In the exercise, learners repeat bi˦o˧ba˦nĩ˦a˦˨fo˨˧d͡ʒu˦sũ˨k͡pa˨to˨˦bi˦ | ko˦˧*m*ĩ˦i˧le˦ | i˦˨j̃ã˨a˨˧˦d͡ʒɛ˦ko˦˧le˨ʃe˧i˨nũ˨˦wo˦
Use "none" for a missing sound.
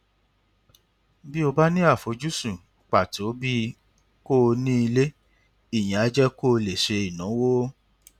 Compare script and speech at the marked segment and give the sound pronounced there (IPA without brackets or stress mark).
n